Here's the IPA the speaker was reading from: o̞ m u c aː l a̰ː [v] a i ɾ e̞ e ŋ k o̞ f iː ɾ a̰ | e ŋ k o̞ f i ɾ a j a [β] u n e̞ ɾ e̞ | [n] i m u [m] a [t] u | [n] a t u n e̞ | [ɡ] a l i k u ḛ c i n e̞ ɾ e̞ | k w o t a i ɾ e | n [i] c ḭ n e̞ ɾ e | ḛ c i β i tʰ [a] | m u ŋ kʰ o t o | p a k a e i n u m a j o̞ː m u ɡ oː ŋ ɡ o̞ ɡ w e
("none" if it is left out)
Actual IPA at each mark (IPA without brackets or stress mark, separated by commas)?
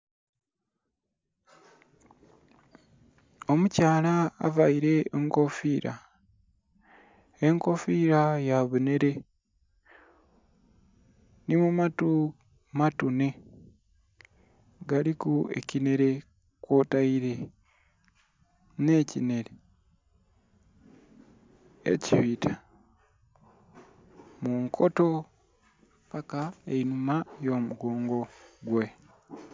v, β, n, m, t, m, ɡ, e, a